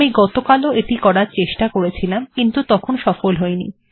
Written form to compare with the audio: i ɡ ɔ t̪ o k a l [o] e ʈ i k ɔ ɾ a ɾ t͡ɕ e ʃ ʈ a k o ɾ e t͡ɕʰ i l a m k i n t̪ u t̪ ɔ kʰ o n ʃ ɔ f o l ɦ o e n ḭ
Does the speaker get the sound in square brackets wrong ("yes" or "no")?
no